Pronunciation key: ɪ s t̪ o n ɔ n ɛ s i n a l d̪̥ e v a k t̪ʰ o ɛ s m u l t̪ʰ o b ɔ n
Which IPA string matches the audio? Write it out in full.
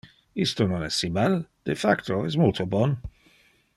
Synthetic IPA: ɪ s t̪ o n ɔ n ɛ s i m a l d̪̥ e f a k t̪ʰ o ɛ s m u l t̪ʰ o b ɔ n